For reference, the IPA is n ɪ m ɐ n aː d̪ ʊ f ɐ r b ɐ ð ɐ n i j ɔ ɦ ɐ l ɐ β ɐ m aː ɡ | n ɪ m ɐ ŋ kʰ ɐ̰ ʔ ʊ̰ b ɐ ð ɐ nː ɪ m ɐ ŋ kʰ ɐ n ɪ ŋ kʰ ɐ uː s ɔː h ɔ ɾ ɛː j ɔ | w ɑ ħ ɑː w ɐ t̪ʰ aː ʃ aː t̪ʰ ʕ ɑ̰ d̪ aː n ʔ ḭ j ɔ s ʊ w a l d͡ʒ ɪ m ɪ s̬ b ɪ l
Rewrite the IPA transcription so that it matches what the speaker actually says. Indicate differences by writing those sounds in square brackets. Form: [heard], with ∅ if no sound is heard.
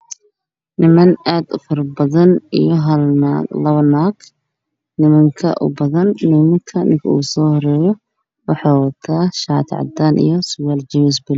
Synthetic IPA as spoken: n ɪ m ɐ n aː d̪ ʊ f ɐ r b ɐ ð ɐ n i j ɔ ɦ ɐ l ɐ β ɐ [n] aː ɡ | n ɪ m ɐ ŋ kʰ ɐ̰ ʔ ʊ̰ b ɐ ð ɐ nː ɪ m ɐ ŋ kʰ ɐ n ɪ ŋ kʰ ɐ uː s ɔː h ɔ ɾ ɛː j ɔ | w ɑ ħ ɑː w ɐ t̪ʰ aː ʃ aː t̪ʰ ʕ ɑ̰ d̪ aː n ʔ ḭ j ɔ s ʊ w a l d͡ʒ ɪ m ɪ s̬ b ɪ l